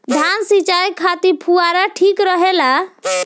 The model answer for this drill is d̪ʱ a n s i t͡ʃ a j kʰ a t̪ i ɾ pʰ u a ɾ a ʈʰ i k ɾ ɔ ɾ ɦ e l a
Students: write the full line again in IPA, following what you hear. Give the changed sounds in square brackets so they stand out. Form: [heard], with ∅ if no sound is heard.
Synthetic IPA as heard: d̪ʱ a n s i t͡ʃ a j kʰ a t̪ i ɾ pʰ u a ɾ a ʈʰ i k ɾ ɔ [∅] ɦ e l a